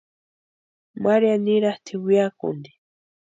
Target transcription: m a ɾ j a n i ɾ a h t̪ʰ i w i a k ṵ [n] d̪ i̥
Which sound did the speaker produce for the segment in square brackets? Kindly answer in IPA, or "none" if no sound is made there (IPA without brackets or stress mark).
n